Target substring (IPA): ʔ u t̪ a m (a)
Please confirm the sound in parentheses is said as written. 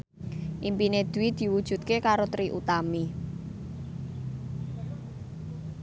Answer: no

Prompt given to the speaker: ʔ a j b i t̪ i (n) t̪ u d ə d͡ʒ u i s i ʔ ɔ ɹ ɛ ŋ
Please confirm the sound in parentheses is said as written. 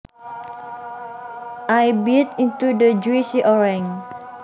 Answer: yes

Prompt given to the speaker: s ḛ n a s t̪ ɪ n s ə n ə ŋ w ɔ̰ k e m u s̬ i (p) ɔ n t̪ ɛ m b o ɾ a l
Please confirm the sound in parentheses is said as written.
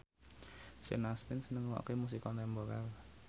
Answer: no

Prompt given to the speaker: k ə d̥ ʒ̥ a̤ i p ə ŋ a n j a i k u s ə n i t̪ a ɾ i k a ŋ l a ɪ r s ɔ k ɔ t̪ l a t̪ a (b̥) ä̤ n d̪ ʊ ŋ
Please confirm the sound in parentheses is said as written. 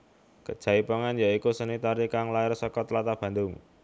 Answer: yes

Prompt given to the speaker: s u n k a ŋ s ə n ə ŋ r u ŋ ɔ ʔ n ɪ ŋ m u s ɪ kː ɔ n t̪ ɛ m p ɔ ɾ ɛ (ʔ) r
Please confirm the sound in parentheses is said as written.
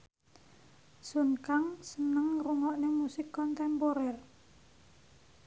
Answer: no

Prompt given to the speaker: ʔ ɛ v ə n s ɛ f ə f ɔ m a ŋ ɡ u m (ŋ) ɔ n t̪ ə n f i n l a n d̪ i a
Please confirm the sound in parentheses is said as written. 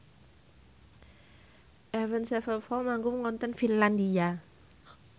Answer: yes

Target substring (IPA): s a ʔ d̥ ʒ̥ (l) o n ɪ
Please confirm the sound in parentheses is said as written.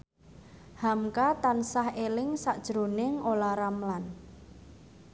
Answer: no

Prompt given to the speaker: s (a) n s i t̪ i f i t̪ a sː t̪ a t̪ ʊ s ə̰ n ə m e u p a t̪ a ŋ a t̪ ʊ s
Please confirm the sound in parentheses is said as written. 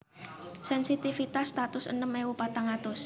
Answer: no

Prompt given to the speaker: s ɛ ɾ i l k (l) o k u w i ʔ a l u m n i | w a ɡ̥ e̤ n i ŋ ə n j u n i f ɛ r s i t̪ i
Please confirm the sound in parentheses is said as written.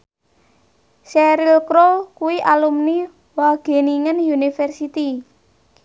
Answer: no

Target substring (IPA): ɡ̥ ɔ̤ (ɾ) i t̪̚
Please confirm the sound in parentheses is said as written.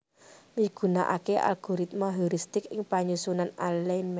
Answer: yes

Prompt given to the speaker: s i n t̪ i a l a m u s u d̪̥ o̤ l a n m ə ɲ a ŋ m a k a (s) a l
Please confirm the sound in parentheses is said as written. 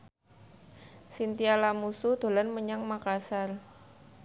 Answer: yes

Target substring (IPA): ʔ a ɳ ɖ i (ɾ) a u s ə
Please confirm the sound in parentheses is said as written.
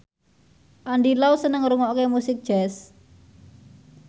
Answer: no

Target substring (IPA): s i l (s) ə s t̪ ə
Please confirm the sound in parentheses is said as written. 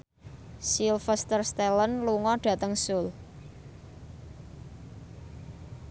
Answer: no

